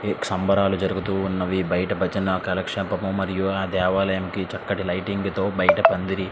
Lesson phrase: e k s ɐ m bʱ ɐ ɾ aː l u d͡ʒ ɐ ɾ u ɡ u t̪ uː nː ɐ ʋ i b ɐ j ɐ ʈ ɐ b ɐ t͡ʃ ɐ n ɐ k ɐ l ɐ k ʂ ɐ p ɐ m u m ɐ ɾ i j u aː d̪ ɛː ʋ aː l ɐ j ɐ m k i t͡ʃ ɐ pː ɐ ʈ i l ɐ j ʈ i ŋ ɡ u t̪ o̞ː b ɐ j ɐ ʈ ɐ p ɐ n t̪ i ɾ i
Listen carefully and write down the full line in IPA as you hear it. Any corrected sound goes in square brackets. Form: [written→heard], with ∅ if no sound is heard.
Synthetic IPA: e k s ɐ m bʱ ɐ ɾ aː l u d͡ʒ ɐ ɾ u ɡ u t̪ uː nː ɐ ʋ i b ɐ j ɐ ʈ ɐ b ɐ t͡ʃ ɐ n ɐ k ɐ l ɐ k ʂ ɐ p ɐ m u m ɐ ɾ i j u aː d̪ ɛː ʋ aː l ɐ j ɐ m k i t͡ʃ ɐ [pː→kː] ɐ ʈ i l ɐ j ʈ i ŋ ɡ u t̪ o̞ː b ɐ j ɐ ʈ ɐ p ɐ n [t̪→d̪] i ɾ i